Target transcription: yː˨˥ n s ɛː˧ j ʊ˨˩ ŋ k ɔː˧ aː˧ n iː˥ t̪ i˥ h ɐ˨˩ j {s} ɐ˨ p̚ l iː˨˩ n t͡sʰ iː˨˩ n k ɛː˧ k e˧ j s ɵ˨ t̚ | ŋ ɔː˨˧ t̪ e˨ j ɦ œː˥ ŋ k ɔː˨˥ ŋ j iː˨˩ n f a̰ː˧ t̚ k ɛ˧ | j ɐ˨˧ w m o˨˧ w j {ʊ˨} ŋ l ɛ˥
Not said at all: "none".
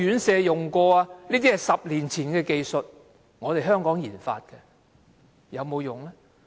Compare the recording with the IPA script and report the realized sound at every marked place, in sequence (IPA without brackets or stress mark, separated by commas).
s, ʊ˨